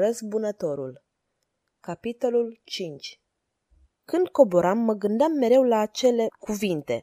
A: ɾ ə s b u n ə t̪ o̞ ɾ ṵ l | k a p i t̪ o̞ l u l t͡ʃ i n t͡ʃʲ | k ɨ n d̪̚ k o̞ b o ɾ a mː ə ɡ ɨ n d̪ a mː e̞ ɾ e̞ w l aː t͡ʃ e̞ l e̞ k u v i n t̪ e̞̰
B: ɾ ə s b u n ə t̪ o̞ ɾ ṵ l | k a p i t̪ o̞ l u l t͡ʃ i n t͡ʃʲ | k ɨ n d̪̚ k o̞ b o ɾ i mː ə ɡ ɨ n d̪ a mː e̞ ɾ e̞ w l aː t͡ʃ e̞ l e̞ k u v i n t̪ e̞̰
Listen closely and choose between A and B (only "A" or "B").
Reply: A